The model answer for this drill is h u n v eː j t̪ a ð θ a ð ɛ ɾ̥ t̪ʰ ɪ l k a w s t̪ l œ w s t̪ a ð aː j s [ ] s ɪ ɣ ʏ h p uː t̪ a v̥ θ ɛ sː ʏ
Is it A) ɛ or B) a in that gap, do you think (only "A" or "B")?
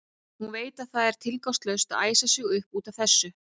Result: B